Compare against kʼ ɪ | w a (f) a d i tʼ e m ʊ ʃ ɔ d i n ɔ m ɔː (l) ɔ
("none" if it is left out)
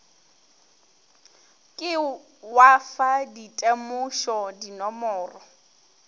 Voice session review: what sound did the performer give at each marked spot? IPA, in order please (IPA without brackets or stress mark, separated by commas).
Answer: f, r